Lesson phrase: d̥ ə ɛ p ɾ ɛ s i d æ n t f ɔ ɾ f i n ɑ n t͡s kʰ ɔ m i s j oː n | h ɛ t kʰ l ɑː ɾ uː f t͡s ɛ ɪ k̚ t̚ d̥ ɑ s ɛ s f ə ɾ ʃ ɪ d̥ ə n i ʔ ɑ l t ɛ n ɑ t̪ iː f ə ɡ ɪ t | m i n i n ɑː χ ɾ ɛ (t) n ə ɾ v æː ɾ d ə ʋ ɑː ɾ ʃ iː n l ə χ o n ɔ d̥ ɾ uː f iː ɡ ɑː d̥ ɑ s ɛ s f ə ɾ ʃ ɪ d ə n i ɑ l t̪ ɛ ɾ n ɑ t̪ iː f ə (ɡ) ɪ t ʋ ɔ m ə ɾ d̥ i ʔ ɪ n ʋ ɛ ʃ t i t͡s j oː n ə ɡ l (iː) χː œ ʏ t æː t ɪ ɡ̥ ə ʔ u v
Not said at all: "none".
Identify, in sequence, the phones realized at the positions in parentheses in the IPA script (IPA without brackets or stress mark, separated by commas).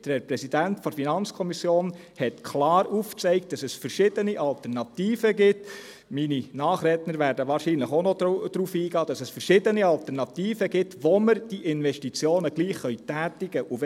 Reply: t, ɡ, iː